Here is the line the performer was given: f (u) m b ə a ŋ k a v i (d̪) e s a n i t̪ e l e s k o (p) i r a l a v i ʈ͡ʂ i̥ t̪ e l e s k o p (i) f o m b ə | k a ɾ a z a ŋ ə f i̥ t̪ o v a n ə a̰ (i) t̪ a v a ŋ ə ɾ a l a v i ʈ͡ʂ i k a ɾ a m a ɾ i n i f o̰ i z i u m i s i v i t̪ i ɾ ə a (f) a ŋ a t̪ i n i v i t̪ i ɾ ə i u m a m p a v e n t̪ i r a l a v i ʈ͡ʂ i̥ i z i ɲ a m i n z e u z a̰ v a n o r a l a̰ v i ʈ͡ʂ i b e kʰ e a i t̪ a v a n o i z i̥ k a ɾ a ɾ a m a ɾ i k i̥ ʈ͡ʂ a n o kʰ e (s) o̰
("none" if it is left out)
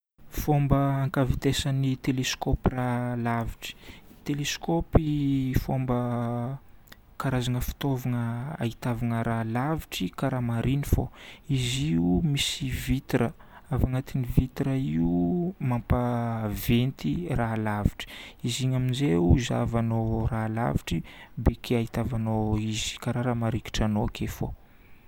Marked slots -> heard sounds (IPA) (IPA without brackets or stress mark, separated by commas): o, t̪, p, i, i, v, f